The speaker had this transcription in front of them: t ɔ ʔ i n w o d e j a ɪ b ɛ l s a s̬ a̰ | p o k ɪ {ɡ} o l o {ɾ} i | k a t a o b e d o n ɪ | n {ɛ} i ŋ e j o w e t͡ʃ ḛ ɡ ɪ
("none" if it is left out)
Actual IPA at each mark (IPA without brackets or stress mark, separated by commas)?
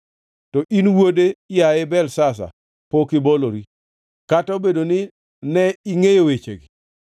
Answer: b, ɾ, ɛ